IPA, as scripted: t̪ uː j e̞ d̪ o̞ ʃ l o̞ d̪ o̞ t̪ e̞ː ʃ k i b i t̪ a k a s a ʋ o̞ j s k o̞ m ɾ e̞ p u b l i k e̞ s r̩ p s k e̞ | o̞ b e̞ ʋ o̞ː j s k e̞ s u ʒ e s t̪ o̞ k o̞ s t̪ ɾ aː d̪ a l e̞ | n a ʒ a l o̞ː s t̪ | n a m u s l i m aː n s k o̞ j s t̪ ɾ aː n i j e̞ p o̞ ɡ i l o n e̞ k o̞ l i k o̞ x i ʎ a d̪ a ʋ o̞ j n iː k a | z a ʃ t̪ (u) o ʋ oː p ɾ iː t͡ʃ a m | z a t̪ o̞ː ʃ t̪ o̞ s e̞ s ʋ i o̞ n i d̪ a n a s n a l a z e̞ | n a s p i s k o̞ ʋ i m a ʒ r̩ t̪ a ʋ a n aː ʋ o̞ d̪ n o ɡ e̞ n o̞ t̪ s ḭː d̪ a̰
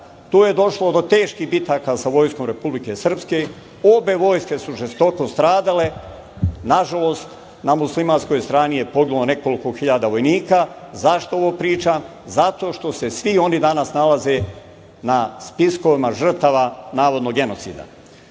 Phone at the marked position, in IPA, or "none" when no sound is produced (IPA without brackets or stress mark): o